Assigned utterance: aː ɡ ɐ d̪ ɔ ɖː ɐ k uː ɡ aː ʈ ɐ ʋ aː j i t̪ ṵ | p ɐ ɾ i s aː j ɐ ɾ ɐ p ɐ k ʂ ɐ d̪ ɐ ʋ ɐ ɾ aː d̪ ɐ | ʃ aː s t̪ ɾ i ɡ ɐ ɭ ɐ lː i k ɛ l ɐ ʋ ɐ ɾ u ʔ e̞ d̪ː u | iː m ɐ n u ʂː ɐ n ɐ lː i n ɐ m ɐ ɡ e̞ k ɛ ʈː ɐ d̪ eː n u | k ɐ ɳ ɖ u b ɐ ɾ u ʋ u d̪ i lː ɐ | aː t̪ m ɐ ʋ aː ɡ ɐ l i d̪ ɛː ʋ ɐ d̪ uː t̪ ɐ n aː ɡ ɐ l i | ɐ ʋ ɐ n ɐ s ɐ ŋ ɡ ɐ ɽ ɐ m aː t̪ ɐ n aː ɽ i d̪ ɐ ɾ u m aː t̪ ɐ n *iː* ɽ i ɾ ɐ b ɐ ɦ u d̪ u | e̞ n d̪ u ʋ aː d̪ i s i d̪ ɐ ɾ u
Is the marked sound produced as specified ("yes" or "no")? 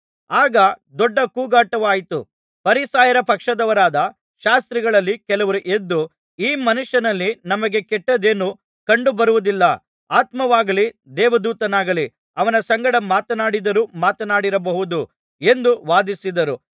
no